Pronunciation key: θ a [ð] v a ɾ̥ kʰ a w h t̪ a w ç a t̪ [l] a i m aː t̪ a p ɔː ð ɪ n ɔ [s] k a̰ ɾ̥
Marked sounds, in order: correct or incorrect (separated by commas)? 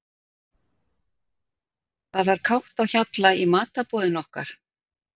correct, correct, incorrect